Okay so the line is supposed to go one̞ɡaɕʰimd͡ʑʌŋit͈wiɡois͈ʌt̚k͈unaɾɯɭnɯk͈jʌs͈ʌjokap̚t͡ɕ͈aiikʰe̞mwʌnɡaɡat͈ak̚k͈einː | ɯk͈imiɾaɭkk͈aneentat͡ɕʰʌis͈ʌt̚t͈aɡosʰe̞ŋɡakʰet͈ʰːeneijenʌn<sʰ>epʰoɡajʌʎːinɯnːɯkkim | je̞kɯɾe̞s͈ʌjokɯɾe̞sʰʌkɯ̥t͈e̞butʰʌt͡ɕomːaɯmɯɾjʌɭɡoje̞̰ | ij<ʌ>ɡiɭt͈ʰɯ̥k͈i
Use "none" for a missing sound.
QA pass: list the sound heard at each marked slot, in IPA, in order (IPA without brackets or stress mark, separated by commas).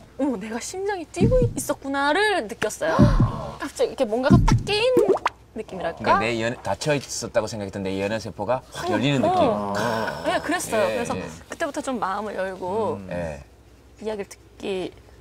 sʰ, a